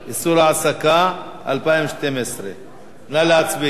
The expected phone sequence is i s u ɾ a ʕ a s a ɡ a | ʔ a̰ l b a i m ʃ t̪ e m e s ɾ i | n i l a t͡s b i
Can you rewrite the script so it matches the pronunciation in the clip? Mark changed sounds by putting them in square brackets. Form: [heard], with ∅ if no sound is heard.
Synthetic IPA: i s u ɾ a ʕ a s a [k] a | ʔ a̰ l [p] a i m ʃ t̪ e m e s ɾ [e] | n [a] l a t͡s b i